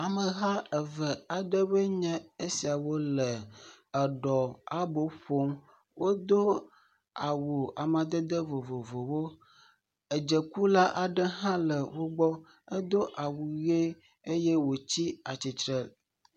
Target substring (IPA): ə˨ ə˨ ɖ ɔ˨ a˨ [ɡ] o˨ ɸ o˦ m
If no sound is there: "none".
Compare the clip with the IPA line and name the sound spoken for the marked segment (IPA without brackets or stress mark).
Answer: b